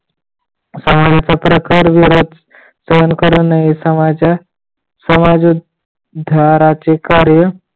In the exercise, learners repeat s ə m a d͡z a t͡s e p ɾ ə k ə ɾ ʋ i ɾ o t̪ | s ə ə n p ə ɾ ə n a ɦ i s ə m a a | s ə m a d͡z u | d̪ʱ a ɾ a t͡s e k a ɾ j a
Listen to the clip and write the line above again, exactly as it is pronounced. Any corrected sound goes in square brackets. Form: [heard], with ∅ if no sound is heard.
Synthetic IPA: s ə m a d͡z a t͡s [a] p ɾ ə k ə ɾ ʋ i ɾ o [d̪] | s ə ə n [k] ə ɾ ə n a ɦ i s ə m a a | s ə m a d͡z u | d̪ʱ a ɾ a t͡s e k a ɾ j [ə]